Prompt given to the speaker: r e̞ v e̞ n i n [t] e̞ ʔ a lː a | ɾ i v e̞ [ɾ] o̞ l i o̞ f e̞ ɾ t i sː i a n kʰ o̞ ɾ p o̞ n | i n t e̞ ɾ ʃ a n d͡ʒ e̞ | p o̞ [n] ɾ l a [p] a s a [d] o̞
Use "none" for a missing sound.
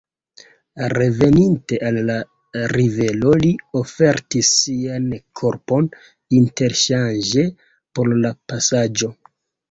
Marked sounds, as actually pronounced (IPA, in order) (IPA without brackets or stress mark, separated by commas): t, l, none, p, d͡ʒ